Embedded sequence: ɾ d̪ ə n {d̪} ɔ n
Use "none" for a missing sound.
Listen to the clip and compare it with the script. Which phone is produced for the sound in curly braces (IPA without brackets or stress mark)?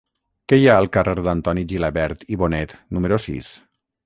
t̪